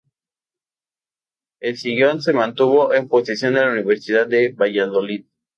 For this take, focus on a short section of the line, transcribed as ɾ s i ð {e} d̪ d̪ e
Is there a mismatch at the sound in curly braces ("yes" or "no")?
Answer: yes